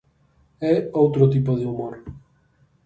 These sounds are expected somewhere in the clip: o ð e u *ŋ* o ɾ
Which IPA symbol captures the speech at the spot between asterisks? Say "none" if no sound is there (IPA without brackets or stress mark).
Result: m